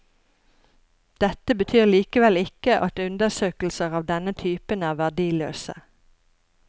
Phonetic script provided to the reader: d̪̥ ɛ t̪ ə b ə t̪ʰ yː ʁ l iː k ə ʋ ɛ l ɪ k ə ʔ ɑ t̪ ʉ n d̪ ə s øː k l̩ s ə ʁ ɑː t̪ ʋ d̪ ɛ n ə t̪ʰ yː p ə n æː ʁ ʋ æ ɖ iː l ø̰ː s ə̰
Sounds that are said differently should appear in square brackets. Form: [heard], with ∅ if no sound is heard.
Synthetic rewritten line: d̪̥ ɛ t̪ ə b ə t̪ʰ yː ʁ l iː k ə ʋ ɛ l ɪ k ə ʔ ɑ t̪ ʉ n d̪ ə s øː k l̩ s ə ʁ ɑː [∅] ʋ d̪ ɛ n ə t̪ʰ yː p ə n æː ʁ ʋ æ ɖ iː l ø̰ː s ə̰